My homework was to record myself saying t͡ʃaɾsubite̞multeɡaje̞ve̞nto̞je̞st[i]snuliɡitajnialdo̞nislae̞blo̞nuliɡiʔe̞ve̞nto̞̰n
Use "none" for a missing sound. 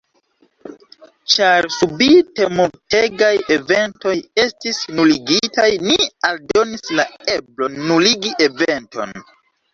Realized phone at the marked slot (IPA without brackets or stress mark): i